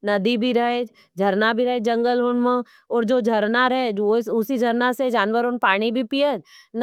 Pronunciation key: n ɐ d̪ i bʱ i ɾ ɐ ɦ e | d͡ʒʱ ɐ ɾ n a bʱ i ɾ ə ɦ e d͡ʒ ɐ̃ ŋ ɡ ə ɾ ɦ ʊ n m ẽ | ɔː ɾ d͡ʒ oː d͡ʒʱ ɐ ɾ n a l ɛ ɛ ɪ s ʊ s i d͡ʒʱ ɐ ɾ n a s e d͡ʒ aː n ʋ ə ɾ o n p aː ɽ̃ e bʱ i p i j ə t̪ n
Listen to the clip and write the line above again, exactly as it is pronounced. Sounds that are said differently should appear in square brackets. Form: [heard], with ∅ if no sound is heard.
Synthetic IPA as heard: n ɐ d̪ i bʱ i ɾ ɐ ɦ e | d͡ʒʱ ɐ ɾ n a bʱ i ɾ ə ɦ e d͡ʒ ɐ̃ ŋ ɡ ə [l] ɦ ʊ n m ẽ | ɔː ɾ d͡ʒ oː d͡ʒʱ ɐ ɾ n a [ɾ] ɛ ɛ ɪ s ʊ s i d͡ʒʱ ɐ ɾ n a s e d͡ʒ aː n ʋ ə ɾ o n p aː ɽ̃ [i] bʱ i p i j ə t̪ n